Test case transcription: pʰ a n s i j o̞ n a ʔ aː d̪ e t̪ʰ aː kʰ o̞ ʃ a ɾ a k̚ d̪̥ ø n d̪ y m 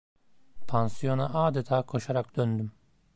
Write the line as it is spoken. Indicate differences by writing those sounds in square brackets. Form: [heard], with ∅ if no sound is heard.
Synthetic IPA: pʰ a n s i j o̞ n a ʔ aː d̪ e t̪ʰ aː kʰ o̞ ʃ a ɾ a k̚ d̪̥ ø n d̪ y m